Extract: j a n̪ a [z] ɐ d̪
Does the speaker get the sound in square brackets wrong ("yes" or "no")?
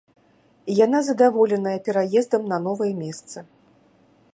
no